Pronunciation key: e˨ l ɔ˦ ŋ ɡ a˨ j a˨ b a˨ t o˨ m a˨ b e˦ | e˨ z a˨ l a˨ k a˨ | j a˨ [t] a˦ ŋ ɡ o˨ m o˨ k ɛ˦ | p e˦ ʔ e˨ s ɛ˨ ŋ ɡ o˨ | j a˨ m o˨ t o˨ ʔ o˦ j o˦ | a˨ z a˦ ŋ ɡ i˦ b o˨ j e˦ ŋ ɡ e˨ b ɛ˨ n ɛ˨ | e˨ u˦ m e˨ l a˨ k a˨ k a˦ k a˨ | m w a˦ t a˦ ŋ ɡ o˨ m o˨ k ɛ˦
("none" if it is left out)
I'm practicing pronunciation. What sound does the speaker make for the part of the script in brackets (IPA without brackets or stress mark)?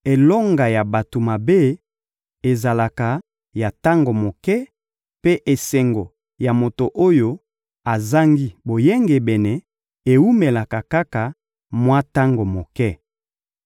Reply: t